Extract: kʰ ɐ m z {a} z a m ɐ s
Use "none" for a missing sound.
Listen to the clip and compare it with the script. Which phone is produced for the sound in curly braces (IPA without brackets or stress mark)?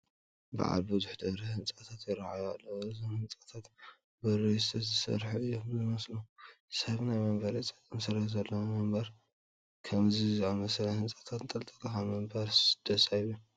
i